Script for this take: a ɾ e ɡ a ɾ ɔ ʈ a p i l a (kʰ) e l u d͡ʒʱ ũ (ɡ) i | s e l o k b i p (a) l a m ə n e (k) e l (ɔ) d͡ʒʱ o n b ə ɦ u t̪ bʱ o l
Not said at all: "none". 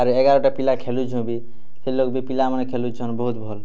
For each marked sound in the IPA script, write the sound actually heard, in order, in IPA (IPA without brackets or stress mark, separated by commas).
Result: kʰ, b, i, kʰ, u